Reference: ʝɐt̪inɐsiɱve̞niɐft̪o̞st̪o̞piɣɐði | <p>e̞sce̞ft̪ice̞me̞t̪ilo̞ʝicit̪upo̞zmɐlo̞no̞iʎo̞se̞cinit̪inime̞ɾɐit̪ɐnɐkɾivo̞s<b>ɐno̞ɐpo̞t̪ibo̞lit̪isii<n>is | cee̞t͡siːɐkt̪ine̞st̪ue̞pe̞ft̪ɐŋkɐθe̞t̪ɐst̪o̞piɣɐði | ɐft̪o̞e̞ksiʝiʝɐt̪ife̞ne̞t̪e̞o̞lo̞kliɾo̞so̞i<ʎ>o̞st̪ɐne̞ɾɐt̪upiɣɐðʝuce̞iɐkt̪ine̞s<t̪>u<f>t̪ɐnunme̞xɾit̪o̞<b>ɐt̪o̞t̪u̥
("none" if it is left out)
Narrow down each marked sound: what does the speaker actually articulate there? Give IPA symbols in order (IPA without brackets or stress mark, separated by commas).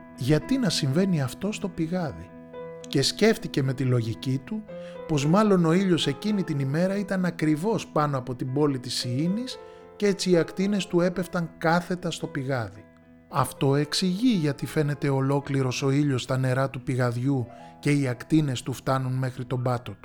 c, p, n, ʎ, t̪, f, b